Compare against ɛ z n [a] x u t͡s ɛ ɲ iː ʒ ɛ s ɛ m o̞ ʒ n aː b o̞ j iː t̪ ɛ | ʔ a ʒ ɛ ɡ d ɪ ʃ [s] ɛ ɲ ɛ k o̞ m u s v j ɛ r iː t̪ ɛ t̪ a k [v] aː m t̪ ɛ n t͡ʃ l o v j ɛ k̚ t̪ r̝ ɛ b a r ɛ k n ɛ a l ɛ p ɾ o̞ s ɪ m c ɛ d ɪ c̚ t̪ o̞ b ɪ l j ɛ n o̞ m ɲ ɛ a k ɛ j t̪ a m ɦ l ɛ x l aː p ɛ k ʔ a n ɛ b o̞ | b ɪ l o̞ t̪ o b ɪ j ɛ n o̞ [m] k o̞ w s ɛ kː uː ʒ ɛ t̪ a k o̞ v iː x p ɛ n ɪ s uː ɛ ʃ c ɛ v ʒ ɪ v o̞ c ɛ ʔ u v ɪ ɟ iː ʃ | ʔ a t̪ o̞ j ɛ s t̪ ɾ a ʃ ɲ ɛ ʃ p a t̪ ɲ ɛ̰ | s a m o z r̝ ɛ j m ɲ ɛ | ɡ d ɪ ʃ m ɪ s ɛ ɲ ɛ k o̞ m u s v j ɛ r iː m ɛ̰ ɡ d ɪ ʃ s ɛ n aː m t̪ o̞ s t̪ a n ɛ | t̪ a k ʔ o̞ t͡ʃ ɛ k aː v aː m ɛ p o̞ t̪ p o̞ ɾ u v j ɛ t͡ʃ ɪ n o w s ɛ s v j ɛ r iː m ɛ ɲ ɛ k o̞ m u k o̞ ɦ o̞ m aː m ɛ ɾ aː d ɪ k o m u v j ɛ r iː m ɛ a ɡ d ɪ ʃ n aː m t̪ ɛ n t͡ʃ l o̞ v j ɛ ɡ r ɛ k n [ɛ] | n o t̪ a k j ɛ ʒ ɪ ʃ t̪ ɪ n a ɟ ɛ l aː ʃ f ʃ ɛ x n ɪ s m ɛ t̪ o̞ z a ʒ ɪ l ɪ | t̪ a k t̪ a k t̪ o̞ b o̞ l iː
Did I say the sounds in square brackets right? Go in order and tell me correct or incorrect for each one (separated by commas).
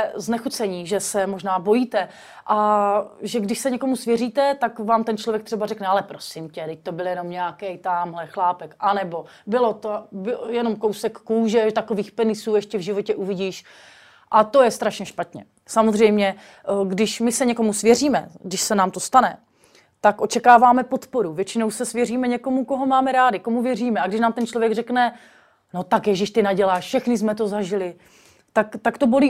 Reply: incorrect, correct, correct, correct, correct